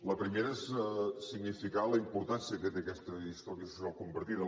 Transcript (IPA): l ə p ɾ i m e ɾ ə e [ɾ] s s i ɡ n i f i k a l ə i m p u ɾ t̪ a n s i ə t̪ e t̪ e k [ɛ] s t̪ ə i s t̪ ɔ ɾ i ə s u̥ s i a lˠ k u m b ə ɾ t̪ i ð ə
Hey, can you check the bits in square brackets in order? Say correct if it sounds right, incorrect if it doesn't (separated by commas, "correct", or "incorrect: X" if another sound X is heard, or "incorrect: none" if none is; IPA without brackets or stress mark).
incorrect: none, correct